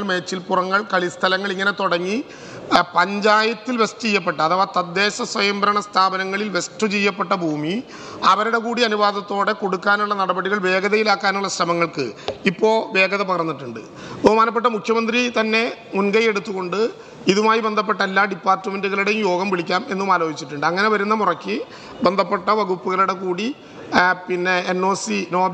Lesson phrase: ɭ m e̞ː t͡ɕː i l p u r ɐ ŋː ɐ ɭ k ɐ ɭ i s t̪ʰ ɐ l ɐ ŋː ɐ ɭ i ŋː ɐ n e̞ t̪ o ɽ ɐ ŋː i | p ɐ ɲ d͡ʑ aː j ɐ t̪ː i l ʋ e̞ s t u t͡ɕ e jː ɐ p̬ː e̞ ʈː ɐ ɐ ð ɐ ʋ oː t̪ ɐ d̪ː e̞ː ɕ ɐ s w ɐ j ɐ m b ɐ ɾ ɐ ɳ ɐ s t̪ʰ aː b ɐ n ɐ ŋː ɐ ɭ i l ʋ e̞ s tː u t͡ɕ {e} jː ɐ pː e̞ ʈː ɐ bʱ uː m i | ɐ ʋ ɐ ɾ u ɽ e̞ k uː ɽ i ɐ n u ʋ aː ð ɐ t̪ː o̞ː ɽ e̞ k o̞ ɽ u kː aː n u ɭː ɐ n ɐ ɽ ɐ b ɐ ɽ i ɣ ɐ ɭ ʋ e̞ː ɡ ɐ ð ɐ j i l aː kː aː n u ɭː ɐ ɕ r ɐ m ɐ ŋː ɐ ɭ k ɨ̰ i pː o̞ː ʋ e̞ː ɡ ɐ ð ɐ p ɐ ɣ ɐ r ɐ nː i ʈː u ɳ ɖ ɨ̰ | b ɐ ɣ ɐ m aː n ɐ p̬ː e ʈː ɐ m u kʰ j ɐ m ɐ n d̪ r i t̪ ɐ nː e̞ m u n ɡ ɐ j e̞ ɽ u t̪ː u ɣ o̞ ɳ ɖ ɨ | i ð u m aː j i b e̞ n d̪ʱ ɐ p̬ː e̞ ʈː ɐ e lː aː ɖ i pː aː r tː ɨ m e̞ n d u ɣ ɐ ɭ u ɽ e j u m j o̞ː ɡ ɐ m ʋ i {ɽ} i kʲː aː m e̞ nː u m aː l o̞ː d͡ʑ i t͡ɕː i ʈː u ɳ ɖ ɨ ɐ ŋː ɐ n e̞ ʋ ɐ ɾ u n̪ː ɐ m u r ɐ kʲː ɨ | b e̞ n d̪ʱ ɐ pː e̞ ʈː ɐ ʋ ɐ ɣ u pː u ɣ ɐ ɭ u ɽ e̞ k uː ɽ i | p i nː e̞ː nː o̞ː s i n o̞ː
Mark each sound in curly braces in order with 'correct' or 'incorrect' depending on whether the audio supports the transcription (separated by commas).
correct, incorrect